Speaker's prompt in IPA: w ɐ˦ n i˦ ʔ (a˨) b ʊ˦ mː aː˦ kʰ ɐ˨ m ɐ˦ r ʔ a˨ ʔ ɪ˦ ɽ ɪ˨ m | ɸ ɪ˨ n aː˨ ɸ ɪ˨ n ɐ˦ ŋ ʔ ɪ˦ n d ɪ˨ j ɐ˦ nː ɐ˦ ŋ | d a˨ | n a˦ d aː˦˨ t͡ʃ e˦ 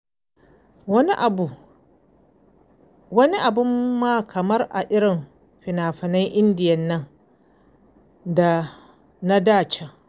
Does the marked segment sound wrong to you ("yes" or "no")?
no